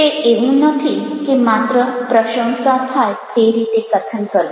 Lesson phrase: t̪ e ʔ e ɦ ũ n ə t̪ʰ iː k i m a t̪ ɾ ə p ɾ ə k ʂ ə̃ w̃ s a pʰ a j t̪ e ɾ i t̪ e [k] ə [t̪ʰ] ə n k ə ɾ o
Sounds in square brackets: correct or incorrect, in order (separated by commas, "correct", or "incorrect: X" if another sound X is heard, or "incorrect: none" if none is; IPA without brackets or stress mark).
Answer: correct, correct